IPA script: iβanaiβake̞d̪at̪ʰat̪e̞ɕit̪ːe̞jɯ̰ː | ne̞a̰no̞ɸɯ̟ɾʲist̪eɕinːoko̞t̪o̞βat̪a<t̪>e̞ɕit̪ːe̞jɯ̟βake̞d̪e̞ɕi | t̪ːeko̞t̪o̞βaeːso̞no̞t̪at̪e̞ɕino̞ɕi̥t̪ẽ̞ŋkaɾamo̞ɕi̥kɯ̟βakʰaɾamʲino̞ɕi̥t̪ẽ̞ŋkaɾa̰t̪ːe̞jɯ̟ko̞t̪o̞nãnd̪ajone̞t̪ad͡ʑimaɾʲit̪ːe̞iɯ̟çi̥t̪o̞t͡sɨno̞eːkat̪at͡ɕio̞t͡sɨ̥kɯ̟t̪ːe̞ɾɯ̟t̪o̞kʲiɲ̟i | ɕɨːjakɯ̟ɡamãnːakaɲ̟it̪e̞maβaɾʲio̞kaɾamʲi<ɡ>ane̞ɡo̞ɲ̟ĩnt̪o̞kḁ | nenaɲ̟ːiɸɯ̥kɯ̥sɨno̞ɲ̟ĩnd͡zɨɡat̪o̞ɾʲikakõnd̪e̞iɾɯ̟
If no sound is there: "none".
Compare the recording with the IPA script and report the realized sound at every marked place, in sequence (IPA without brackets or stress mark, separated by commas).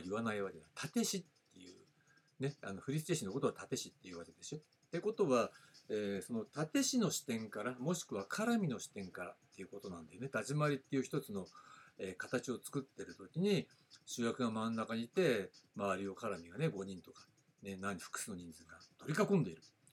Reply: t̪, ɡ